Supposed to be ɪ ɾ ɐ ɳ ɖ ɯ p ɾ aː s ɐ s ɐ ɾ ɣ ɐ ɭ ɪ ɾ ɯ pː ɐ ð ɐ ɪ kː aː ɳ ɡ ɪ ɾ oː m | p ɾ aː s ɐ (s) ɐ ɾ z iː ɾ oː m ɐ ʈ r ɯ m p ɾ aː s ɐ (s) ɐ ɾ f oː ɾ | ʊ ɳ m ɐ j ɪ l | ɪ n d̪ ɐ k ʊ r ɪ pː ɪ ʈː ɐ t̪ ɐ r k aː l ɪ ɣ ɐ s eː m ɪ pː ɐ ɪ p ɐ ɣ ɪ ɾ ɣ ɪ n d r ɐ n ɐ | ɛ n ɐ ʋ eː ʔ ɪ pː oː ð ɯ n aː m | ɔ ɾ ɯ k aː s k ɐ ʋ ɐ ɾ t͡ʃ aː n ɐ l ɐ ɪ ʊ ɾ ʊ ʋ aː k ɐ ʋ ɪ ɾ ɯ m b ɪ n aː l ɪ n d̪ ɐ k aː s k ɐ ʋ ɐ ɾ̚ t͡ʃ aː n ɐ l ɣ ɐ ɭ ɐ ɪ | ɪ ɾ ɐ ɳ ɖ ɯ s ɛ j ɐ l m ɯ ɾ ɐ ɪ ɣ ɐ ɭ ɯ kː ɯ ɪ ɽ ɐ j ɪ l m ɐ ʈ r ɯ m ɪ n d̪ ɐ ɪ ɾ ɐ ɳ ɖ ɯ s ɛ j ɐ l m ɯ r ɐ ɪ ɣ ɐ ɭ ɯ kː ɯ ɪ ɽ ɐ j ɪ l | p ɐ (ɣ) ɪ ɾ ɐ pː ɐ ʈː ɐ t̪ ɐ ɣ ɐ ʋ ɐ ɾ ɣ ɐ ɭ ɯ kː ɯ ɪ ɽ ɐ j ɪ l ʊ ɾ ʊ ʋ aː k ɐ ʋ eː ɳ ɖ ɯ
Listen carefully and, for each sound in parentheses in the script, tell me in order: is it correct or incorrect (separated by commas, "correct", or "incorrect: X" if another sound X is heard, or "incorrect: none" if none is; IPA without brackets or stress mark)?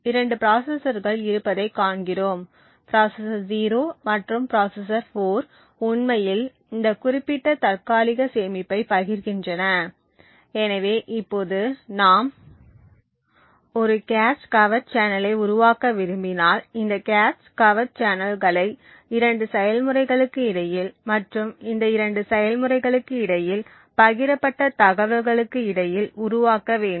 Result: correct, correct, correct